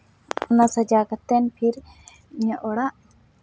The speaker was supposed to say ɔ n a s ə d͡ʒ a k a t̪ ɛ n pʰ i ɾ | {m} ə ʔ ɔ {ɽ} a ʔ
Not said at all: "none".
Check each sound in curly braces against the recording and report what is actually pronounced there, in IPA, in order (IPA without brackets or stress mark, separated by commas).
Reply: ɲ, ɽ